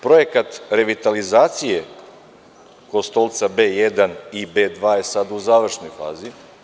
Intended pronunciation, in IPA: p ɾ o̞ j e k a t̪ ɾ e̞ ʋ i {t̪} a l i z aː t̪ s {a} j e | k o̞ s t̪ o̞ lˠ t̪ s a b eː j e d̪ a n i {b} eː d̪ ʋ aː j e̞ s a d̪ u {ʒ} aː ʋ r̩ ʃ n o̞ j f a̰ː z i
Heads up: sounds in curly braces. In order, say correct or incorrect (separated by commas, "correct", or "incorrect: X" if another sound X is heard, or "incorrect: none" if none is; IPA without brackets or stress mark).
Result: correct, incorrect: i, correct, incorrect: z